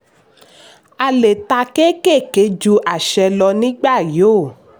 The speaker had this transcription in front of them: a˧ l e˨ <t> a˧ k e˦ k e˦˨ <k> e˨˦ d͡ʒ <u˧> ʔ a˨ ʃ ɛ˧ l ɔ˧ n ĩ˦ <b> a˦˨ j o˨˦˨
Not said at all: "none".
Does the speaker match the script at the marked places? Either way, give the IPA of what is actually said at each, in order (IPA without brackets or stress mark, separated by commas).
t, k, u˧, ɡ͡b